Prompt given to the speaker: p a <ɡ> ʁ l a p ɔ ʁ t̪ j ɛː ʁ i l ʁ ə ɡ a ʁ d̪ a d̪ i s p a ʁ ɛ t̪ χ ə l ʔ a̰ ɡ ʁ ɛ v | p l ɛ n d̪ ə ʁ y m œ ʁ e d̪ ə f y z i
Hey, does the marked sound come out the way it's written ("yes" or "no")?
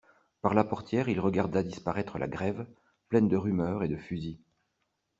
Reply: no